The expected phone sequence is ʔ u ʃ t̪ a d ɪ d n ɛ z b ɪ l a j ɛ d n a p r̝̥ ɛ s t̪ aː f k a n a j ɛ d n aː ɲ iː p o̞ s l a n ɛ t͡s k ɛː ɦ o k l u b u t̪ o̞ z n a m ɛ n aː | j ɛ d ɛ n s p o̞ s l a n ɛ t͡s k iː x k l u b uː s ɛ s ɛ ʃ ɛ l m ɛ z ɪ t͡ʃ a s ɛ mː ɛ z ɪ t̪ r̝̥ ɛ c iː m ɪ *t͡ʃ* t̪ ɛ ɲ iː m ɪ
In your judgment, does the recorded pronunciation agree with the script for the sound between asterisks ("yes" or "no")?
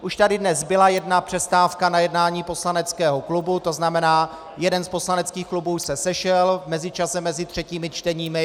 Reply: yes